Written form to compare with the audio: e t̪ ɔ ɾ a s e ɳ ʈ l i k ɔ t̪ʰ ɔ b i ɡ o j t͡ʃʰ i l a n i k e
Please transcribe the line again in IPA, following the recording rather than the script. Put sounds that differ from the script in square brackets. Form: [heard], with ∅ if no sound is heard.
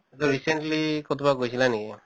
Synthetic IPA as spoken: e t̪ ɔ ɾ [i] s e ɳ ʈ l i k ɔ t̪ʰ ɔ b [a] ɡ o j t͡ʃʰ i l a n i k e

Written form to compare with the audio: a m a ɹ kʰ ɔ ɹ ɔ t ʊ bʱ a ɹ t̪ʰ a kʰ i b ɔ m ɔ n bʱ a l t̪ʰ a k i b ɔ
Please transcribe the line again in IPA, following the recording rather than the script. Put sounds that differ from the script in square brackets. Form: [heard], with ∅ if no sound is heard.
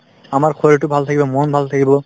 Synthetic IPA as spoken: a m a ɹ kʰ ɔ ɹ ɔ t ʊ bʱ a [l] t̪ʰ a [k] i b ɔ m ɔ n bʱ a l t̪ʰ a k i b ɔ

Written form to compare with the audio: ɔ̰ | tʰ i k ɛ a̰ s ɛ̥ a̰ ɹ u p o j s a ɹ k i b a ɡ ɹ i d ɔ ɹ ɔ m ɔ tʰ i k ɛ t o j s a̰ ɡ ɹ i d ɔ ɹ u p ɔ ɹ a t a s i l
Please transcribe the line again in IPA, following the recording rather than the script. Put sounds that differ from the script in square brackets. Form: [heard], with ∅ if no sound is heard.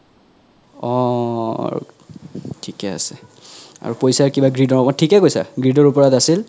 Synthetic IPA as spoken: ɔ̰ | tʰ i k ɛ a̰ s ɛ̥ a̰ ɹ u p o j s a ɹ k i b a ɡ ɹ i d ɔ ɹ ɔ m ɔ tʰ i k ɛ [k] o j s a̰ ɡ ɹ i d ɔ ɹ u p ɔ ɹ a t a s i l

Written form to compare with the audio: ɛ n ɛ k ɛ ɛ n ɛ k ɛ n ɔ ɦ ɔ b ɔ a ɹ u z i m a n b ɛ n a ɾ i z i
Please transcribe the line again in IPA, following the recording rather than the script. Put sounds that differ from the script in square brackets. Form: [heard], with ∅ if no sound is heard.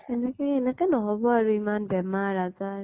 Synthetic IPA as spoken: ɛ n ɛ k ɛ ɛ n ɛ k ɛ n ɔ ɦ ɔ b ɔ a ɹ u [∅] i m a n b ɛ [m] a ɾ [a] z [a]

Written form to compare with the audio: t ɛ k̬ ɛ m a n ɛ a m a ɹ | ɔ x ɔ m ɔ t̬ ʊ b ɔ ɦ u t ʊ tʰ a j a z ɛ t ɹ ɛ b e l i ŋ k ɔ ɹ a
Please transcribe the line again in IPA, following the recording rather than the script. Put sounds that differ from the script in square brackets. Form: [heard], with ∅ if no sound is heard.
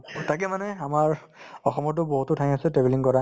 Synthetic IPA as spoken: t [a] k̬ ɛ m a n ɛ a m a ɹ | ɔ x ɔ m ɔ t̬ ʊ b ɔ ɦ u t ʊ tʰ a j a [s] ɛ t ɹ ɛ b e l i ŋ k ɔ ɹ a

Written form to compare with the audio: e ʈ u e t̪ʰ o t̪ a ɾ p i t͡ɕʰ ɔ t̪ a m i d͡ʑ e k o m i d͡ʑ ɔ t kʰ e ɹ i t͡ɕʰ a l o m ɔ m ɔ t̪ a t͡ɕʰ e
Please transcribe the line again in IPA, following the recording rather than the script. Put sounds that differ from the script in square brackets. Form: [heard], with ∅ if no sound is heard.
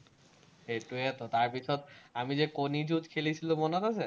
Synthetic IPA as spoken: e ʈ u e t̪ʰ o t̪ a ɾ p i t͡ɕʰ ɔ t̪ a m i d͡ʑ e k o [n] i d͡ʑ [u] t kʰ e [l] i t͡ɕʰ [i] l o m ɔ [n] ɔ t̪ a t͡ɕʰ e

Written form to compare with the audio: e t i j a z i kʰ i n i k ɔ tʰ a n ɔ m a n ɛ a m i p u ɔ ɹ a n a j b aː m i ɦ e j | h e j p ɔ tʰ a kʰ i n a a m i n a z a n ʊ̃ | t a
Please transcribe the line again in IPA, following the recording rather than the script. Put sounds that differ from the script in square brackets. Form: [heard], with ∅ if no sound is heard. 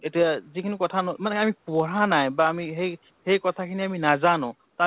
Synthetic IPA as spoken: e t i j a z i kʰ i n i k ɔ tʰ a n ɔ m a n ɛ a m i p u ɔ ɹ a n a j b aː m i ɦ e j | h e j [k] ɔ tʰ a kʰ i n [i] a m i n a z a n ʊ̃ | t a

